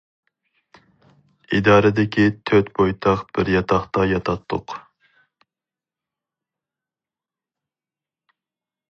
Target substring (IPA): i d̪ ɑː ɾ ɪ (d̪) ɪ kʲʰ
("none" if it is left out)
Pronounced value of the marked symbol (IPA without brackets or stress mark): d̪